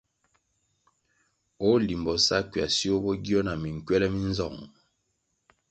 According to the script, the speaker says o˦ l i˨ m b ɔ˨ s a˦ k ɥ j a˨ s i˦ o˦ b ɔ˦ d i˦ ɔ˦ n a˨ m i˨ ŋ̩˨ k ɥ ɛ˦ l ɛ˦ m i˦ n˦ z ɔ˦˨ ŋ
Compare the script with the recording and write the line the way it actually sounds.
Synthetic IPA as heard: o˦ l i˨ m b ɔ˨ s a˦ k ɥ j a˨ s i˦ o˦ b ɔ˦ ɡ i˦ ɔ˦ n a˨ m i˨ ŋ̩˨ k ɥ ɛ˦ l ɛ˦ m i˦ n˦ z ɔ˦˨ ŋ